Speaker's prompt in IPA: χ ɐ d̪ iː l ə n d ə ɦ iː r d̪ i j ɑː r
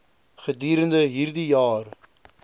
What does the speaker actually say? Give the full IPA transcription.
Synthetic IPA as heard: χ ə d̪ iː ɾ ə n d ə ɦ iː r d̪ i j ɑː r